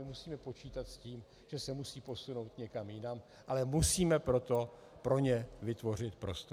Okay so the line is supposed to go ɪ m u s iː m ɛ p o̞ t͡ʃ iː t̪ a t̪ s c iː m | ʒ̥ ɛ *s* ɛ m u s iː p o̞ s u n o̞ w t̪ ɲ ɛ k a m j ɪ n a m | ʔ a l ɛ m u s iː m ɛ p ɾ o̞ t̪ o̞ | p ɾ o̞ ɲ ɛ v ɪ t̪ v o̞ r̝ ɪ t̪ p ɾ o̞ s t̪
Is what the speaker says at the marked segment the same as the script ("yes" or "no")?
yes